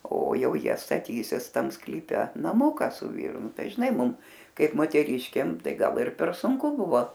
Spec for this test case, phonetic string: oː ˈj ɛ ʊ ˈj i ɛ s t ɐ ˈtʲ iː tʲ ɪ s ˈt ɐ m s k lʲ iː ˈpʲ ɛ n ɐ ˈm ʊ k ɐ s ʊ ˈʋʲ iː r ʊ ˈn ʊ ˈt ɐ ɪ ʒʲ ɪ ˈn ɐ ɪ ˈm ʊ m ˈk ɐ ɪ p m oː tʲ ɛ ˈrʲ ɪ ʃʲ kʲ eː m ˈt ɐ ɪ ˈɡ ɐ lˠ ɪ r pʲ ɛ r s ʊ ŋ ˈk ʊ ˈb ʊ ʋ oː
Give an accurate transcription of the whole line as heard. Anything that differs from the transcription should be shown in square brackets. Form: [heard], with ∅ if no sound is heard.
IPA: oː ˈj ɛ ʊ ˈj i ɛ s t ɐ ˈtʲ iː [sʲ] ɪ s ˈt ɐ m s k lʲ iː ˈpʲ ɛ n ɐ ˈm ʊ k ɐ s ʊ ˈʋʲ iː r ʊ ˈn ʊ ˈt ɐ ɪ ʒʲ ɪ ˈn ɐ ɪ ˈm ʊ m ˈk ɐ ɪ p m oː tʲ ɛ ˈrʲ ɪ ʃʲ kʲ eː m ˈt ɐ ɪ ˈɡ ɐ lˠ ɪ r pʲ ɛ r s ʊ ŋ ˈk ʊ ˈb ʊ ʋ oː